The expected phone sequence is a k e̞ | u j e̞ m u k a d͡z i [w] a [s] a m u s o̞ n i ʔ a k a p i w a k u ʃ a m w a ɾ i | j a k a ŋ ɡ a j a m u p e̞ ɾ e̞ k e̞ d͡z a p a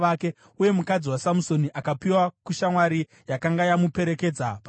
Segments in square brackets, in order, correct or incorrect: correct, correct

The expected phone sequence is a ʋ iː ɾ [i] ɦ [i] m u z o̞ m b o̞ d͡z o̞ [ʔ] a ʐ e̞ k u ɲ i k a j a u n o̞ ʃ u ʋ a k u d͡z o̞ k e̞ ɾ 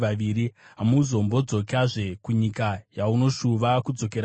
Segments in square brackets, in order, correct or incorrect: correct, incorrect, incorrect

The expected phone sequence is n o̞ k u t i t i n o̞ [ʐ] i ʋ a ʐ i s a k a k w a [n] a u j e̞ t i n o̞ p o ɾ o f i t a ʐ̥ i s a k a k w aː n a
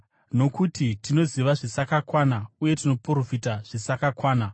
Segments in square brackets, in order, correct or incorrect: incorrect, correct

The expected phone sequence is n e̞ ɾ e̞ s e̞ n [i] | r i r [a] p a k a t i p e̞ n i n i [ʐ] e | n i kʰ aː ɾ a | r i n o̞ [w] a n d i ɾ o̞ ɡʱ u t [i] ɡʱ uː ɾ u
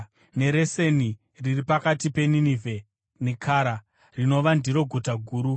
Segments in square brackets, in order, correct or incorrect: correct, incorrect, incorrect, incorrect, incorrect

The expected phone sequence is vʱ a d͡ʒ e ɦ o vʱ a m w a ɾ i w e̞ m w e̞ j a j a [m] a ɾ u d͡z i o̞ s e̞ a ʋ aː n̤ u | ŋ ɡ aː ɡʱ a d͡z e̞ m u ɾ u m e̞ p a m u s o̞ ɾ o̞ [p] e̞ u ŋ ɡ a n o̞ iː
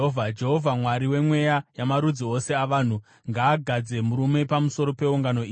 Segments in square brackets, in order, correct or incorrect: correct, correct

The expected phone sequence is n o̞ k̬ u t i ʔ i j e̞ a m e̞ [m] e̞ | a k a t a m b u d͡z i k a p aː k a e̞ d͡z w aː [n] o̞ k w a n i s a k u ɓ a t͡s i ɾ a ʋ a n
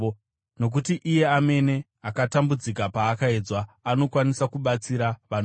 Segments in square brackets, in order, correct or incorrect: incorrect, correct

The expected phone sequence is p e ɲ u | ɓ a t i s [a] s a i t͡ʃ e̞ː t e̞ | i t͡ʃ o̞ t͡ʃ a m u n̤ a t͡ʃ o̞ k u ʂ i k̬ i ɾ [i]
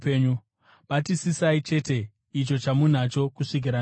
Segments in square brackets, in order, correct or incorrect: incorrect, incorrect

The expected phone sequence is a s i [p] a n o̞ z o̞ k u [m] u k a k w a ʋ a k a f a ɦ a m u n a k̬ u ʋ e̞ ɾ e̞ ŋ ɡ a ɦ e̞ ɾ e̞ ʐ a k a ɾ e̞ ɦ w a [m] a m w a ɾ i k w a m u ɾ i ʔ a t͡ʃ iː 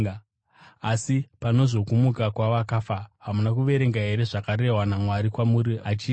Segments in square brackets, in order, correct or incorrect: correct, correct, incorrect

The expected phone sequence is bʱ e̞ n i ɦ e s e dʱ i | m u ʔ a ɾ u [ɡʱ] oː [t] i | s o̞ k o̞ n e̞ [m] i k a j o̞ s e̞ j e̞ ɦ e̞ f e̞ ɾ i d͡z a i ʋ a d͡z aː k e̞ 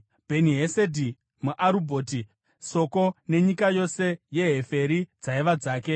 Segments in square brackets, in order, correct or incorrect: incorrect, correct, incorrect

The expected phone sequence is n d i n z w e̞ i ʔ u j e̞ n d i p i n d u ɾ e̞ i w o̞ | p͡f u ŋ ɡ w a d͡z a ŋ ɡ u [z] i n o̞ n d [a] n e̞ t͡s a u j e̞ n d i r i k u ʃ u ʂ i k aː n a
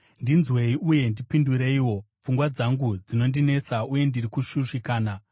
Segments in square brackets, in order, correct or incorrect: incorrect, incorrect

